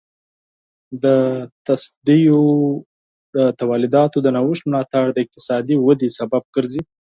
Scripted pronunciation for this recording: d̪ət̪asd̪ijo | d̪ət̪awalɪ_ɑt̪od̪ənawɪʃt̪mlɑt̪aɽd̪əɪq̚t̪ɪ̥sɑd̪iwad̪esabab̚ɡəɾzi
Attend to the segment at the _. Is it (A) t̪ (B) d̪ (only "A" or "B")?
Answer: B